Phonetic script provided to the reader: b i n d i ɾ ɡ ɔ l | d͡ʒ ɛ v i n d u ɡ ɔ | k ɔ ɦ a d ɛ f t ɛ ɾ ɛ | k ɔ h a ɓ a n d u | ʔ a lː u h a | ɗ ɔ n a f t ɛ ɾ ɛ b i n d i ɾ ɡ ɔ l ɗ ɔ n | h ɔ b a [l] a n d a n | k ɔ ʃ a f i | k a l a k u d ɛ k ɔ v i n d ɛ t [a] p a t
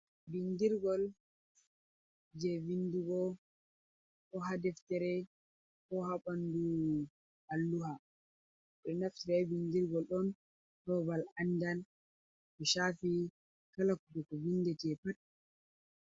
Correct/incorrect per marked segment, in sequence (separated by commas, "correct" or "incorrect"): correct, incorrect